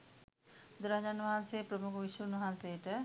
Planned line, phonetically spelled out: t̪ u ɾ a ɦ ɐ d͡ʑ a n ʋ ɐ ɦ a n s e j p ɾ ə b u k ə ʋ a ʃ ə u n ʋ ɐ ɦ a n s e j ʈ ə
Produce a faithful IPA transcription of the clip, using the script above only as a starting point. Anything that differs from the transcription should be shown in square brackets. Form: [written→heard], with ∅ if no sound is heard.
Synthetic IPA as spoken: [t̪→d̪] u ɾ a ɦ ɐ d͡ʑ a n ʋ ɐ ɦ a n s e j p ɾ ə [b→m] u k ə ʋ [a→i] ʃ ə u n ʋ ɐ ɦ a n s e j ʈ ə